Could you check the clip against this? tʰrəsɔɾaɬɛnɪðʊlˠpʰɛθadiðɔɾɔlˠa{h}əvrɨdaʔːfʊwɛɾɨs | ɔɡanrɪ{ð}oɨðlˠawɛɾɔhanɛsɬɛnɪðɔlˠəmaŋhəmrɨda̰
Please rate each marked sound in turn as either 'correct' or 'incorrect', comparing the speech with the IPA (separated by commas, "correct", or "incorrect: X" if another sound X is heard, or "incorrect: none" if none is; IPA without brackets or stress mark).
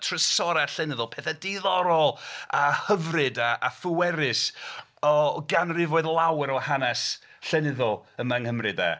correct, incorrect: v